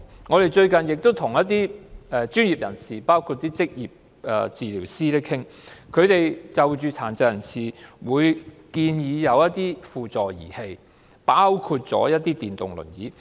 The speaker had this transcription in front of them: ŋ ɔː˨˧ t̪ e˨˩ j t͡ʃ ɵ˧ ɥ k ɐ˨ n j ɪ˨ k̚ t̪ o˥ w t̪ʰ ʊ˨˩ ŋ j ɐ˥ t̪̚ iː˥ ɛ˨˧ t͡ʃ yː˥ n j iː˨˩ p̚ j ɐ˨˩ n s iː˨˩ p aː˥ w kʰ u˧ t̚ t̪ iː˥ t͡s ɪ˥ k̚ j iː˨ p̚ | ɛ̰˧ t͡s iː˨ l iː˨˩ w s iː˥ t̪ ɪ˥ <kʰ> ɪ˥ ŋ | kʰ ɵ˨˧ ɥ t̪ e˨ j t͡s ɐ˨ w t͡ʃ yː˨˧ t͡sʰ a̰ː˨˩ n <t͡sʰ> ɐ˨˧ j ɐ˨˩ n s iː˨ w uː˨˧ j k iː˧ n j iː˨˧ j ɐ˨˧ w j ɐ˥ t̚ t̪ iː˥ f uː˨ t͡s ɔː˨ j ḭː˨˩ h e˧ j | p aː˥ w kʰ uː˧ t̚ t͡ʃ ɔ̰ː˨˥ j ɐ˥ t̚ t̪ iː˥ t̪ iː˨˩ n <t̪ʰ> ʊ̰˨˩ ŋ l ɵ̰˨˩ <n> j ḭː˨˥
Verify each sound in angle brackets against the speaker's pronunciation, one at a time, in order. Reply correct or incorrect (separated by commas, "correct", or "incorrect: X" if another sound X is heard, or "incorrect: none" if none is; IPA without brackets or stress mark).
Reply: correct, incorrect: t͡s, incorrect: t̪, correct